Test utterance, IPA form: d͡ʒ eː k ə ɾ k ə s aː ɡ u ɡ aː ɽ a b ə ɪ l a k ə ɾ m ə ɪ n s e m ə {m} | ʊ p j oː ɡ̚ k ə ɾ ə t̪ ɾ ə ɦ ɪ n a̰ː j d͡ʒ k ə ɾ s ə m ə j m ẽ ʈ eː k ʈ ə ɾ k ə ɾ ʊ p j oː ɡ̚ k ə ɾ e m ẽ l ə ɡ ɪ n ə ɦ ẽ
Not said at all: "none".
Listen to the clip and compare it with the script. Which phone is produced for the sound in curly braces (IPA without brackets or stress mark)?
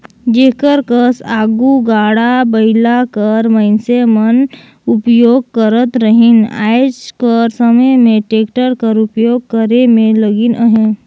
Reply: n